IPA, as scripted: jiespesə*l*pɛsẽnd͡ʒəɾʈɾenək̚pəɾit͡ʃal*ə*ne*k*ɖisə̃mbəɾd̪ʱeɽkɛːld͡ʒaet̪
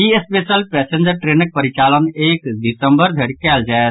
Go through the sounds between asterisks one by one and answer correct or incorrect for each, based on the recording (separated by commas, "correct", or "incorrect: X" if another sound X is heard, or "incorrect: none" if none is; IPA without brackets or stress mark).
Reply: correct, correct, correct